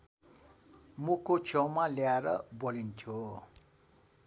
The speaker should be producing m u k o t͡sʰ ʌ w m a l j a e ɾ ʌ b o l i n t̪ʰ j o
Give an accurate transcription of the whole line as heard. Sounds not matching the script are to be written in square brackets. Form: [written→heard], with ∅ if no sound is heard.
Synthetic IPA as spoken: m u k o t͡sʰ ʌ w m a l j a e ɾ ʌ b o l i n t̪ʰ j o